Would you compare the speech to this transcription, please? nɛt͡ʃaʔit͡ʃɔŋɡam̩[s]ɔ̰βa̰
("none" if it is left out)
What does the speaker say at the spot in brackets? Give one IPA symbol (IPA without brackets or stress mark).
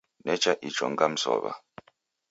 s